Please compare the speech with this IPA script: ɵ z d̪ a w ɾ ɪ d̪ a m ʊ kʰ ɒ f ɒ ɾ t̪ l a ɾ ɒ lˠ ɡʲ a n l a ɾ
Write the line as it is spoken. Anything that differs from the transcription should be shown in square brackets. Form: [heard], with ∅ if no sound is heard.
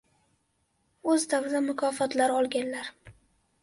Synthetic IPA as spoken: ɵ z d̪ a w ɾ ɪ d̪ a m ʊ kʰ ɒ f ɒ [∅] t̪ l a ɾ ɒ lˠ ɡʲ a n l a ɾ